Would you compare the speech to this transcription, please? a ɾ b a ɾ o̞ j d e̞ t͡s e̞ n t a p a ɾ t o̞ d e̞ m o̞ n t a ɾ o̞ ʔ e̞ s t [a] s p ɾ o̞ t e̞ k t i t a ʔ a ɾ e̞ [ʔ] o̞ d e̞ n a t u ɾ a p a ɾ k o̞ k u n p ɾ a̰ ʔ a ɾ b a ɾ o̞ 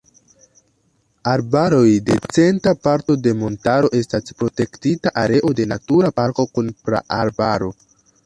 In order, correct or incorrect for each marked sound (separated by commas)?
correct, correct